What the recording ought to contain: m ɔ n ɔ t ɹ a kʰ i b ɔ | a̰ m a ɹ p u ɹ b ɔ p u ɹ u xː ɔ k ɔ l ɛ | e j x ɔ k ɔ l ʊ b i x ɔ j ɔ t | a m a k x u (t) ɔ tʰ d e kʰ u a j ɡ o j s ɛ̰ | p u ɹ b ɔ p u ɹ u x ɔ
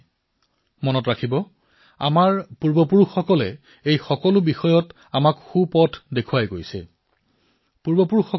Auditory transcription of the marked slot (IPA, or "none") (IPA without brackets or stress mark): p